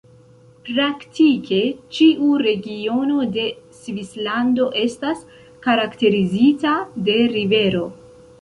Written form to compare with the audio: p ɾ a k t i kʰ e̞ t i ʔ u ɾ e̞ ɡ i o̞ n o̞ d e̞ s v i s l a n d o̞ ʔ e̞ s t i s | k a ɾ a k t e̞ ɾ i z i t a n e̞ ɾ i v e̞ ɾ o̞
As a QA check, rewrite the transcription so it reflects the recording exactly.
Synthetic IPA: p ɾ a k t i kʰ e̞ t͡ʃ i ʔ u ɾ e̞ ɡ i o̞ n o̞ d e̞ s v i s l a n d o̞ ʔ e̞ s t a s | k a ɾ a k t e̞ ɾ i z i t a d e̞ ɾ i v e̞ ɾ o̞